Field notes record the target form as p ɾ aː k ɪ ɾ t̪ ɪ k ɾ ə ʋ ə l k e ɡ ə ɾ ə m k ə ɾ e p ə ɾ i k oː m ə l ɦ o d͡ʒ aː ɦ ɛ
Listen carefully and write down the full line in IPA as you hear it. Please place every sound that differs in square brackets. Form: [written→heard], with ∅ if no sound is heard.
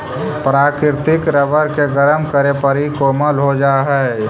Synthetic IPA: p ɾ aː k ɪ ɾ t̪ ɪ k ɾ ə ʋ ə [l→ɾ] k e ɡ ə ɾ ə m k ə ɾ e p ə ɾ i k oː m ə l ɦ o d͡ʒ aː ɦ ɛ